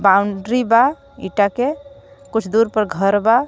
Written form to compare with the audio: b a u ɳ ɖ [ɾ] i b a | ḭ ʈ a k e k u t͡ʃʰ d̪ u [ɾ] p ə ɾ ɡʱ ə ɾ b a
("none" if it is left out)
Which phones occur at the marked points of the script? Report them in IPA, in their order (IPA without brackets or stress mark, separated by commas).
ɾ, ɾ